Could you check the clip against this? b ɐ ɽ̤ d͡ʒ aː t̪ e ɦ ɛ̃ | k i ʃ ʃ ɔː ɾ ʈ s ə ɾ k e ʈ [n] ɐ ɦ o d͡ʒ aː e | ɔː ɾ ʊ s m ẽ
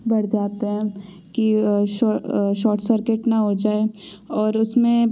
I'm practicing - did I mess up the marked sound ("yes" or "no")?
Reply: no